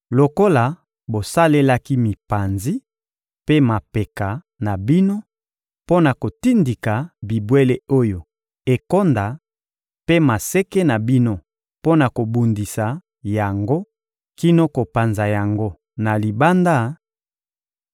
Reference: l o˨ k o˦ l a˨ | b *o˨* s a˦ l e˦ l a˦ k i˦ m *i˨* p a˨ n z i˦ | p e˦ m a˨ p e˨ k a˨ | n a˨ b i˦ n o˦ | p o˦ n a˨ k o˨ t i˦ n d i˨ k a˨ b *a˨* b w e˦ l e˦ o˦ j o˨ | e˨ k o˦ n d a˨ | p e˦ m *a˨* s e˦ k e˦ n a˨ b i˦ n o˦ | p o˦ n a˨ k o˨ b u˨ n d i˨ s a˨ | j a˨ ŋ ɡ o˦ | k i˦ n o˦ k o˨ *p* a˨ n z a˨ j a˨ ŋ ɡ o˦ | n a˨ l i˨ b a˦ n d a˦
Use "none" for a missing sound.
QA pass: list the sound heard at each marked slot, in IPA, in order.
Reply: o˨, i˨, i˨, a˨, p

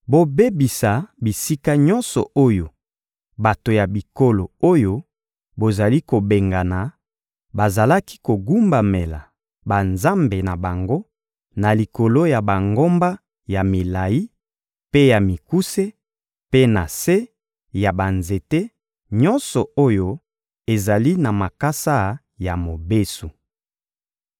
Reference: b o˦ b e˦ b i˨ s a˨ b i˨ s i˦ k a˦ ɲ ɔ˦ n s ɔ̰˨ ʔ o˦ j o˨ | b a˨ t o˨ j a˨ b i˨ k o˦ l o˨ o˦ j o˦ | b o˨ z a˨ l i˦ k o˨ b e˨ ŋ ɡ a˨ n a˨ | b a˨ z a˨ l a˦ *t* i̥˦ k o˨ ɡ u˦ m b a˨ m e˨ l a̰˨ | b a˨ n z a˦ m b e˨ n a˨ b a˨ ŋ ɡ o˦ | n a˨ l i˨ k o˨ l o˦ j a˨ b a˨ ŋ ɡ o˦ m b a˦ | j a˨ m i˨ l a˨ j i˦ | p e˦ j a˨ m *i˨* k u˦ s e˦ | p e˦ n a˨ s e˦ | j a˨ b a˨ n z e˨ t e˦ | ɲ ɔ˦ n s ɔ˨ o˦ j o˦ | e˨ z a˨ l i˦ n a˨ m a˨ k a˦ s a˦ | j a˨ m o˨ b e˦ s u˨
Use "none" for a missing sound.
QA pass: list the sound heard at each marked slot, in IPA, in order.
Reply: k, i˨

